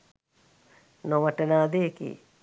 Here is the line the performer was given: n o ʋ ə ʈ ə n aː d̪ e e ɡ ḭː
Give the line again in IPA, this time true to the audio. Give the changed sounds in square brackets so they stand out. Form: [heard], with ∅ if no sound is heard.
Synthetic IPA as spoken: n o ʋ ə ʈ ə n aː d̪ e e [k] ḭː